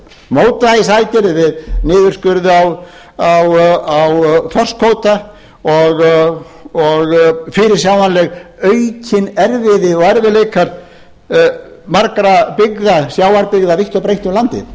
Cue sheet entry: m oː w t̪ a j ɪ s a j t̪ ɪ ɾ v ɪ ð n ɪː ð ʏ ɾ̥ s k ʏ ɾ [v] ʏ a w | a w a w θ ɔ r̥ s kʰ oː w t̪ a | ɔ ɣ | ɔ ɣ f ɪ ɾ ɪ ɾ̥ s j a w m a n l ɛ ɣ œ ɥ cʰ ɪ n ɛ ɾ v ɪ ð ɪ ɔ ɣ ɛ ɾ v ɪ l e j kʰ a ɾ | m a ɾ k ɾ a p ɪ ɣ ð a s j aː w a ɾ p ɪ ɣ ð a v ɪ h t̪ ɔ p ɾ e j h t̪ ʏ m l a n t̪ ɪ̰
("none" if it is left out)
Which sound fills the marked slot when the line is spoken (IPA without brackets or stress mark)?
ð